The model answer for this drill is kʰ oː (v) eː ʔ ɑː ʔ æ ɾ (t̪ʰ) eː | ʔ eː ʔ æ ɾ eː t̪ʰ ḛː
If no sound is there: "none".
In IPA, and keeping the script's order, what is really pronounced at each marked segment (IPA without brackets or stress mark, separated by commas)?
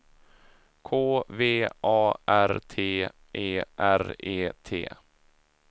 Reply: v, t̪ʰ